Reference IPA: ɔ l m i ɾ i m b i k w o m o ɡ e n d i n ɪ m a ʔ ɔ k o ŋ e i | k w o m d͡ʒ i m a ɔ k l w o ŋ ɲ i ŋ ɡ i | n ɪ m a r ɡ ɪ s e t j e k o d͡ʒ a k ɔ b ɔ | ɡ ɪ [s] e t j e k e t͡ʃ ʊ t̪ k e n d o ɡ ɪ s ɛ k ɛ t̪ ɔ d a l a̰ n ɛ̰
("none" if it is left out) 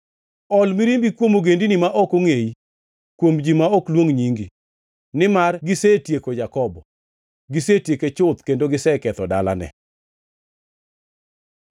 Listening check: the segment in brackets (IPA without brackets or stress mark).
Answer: s